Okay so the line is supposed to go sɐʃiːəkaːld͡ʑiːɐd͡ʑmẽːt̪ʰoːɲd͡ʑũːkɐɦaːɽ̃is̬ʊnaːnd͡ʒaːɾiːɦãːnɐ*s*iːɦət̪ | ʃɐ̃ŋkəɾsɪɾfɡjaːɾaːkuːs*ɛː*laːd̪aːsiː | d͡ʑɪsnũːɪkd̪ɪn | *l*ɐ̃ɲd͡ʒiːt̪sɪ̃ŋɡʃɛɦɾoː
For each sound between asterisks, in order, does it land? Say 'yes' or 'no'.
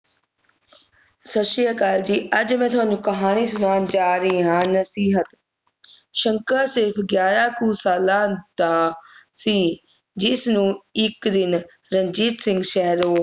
yes, no, no

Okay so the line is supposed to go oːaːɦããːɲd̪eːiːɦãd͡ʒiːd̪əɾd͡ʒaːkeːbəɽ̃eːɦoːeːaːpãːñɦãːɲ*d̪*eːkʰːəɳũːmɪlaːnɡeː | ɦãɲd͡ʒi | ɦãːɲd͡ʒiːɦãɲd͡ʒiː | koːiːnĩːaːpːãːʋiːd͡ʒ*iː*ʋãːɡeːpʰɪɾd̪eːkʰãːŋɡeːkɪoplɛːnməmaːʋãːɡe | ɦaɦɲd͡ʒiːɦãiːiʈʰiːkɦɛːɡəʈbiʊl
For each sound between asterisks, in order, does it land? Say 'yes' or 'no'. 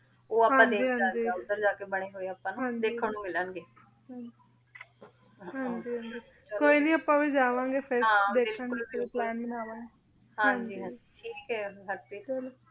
yes, no

